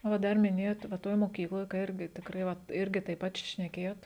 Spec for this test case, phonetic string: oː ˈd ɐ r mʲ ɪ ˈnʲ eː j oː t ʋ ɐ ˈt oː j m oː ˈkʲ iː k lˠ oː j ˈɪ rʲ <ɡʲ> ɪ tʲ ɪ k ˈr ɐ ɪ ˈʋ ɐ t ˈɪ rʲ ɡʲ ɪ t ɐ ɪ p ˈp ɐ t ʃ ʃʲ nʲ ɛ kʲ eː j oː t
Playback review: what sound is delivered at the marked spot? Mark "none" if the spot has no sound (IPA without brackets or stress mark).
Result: ɡʲ